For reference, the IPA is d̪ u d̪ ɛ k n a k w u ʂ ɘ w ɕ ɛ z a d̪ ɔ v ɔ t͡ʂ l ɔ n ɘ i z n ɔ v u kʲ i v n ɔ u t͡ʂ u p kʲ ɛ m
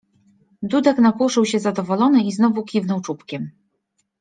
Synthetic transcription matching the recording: d̪ u d̪ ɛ k n a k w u ʂ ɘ w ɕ ɛ z a d̪ ɔ v ɔ l ɔ n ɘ i z n ɔ v u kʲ i v n ɔ w t͡ʂ u p kʲ ɛ m